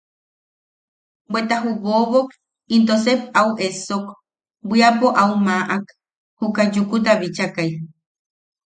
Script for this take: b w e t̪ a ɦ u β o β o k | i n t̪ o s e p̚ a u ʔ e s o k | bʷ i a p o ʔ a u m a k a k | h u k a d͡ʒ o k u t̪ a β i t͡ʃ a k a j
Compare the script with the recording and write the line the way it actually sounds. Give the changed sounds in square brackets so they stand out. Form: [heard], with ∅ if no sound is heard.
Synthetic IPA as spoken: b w e t̪ a ɦ u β o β o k | i n t̪ o s e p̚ a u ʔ e s o k | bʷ i a p o ʔ a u m a [ʔ] a k | h u k a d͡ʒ [u] k u t̪ a β i t͡ʃ a k a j